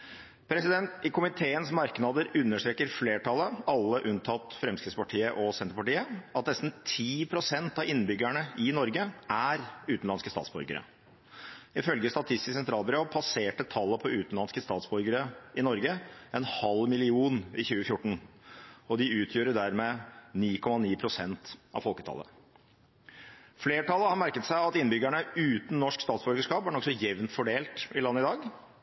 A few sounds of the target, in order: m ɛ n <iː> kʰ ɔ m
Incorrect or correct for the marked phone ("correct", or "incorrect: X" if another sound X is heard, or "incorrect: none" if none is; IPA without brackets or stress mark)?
correct